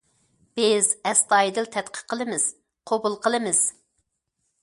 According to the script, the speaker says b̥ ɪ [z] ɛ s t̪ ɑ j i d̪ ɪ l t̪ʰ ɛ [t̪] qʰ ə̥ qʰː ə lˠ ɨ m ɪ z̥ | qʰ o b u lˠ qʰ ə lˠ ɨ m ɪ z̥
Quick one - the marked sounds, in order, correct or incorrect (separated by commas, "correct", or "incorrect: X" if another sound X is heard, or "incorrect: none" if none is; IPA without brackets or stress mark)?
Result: correct, correct